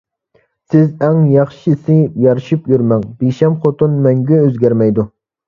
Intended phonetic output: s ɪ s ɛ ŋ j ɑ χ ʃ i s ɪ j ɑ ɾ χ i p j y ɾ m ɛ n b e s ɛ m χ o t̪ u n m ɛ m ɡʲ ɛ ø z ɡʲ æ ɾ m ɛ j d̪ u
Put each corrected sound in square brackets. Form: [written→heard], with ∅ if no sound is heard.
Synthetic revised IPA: s ɪ [s→z] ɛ ŋ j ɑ χ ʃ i s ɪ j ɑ ɾ [χ→ʃ] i p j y ɾ m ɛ [n→ŋ] b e [s→ʃ] ɛ m χ o t̪ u n m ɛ [m→ŋ] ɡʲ ɛ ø z ɡʲ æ ɾ m ɛ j d̪ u